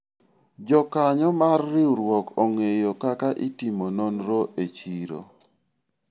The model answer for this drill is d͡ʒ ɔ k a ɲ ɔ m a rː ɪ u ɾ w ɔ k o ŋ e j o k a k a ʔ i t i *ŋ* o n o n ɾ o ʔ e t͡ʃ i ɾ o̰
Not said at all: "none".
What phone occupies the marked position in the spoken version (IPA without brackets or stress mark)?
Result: m